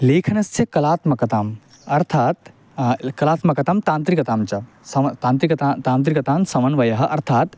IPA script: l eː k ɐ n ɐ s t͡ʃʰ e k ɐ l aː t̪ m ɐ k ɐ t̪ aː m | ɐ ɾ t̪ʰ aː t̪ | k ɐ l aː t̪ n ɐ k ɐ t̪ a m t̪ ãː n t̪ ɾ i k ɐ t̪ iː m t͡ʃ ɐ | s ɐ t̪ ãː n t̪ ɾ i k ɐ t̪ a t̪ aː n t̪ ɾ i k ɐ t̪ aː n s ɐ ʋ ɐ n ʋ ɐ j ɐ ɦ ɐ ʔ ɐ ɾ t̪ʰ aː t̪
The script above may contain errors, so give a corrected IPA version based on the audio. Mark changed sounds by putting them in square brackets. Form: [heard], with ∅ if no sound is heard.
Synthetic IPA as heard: l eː [kʰ] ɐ n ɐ s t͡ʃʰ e k ɐ l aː t̪ m ɐ k ɐ t̪ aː m | ɐ ɾ t̪ʰ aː t̪ | k ɐ l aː t̪ [m] ɐ k ɐ t̪ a m t̪ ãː n t̪ ɾ i k ɐ t̪ [aː] m t͡ʃ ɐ | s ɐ t̪ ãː n t̪ ɾ i k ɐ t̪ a t̪ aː n t̪ ɾ i k ɐ t̪ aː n s ɐ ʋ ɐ n ʋ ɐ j ɐ ɦ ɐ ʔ ɐ ɾ t̪ʰ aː t̪

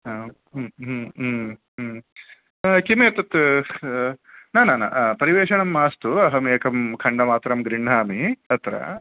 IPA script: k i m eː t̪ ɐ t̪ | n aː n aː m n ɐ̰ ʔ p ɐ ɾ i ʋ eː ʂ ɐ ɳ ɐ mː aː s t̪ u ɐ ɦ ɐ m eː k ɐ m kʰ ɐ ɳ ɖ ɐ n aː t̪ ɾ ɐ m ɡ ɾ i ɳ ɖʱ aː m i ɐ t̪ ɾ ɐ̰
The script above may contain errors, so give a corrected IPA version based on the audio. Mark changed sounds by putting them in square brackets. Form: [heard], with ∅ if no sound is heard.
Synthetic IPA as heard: k i m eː t̪ ɐ t̪ | n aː n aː [∅] n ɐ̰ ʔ p ɐ ɾ i ʋ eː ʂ ɐ ɳ ɐ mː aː s t̪ u ɐ ɦ ɐ m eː k ɐ m kʰ ɐ ɳ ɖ ɐ [m] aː t̪ ɾ ɐ m ɡ ɾ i ɳ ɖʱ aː m i ɐ t̪ ɾ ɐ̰

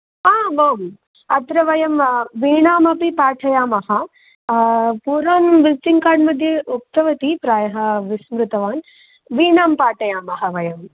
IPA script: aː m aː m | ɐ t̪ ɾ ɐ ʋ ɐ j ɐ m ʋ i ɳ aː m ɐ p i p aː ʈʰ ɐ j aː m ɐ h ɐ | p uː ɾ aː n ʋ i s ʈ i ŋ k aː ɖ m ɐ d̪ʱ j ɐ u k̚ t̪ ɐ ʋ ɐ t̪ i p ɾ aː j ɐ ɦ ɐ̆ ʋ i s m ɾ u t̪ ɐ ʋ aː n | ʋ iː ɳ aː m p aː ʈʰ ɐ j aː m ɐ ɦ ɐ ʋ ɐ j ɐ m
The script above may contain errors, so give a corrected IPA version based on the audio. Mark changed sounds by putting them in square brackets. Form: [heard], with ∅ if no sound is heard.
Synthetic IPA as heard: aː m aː m | ɐ t̪ ɾ ɐ ʋ ɐ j ɐ m ʋ [iː] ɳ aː m ɐ p i p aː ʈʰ ɐ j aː m ɐ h ɐ | p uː ɾ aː n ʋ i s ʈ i ŋ k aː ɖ m ɐ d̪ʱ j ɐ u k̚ t̪ ɐ ʋ ɐ t̪ i p ɾ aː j ɐ ɦ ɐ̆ ʋ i s m ɾ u t̪ ɐ ʋ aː n | ʋ iː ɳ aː m p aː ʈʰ ɐ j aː m ɐ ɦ ɐ ʋ ɐ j ɐ m

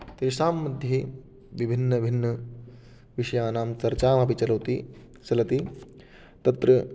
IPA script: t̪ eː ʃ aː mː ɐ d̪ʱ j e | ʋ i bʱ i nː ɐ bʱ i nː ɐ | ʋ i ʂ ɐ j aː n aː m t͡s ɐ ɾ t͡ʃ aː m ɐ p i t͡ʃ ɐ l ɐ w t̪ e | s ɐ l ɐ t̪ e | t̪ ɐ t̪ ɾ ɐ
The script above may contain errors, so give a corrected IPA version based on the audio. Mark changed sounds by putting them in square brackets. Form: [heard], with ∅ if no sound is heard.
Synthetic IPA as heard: t̪ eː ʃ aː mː ɐ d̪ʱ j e | ʋ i bʱ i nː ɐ bʱ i nː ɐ | ʋ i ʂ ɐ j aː n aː m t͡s ɐ ɾ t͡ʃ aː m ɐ p i t͡ʃ ɐ l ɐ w t̪ [i] | s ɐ l ɐ t̪ [i] | t̪ ɐ t̪ ɾ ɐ

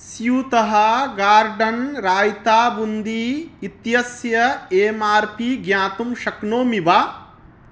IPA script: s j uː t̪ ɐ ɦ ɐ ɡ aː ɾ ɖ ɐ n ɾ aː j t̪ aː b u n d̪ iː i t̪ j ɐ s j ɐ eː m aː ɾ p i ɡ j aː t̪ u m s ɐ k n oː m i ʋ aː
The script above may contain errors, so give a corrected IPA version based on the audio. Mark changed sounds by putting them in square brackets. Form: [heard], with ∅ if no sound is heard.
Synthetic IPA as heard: s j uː t̪ ɐ ɦ ɐ ɡ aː ɾ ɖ ɐ n ɾ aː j t̪ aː b u n d̪ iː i t̪ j ɐ s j ɐ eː m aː ɾ p i ɡ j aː t̪ u m [ʃ] ɐ k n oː m i ʋ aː

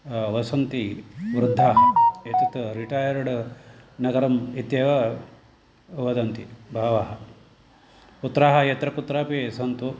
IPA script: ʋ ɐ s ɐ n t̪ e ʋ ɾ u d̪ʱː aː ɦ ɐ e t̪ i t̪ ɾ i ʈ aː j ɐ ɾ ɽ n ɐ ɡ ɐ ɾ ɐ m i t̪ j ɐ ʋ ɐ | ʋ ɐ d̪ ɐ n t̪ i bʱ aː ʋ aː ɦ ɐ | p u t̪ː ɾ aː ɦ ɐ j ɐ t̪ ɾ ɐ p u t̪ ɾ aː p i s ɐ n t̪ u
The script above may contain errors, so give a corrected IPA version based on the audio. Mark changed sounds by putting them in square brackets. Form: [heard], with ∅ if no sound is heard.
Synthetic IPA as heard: ʋ ɐ s ɐ n t̪ [i] ʋ ɾ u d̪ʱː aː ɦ ɐ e t̪ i t̪ ɾ i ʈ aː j ɐ ɾ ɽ n ɐ ɡ ɐ ɾ ɐ m i t̪ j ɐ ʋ ɐ | ʋ ɐ d̪ ɐ n t̪ i bʱ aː ʋ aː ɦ ɐ | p u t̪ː ɾ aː ɦ ɐ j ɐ t̪ ɾ ɐ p u t̪ ɾ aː p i s ɐ n t̪ u

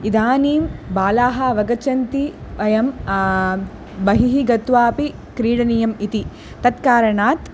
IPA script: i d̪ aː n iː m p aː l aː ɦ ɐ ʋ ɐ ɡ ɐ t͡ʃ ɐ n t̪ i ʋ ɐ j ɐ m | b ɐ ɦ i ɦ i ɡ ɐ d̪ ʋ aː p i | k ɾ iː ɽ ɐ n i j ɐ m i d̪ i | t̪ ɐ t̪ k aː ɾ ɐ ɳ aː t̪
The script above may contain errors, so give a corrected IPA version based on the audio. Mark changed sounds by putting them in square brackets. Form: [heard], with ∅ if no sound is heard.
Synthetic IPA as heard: i d̪ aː n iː m [b] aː l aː ɦ ɐ ʋ ɐ ɡ ɐ t͡ʃ ɐ n t̪ i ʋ ɐ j ɐ m | b ɐ ɦ i ɦ i ɡ ɐ [t̪] ʋ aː p i | k ɾ iː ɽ ɐ n i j ɐ m i [t̪] i | t̪ ɐ t̪ k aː ɾ ɐ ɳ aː t̪

